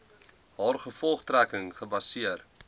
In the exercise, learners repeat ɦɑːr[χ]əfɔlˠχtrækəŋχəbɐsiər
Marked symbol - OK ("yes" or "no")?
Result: yes